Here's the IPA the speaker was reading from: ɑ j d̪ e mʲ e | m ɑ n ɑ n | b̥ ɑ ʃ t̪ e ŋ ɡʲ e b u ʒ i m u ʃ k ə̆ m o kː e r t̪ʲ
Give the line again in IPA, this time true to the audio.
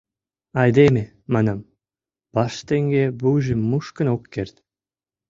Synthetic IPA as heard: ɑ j d̪ e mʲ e | m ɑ n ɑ m | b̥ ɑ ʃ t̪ e ŋ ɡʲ e b u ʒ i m u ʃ k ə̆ n o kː e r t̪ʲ

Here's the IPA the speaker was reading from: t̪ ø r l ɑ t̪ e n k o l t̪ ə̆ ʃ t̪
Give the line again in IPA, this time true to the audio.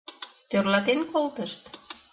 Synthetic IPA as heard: t̪ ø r l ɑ t̪ e n k o l t̪ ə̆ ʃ t̪

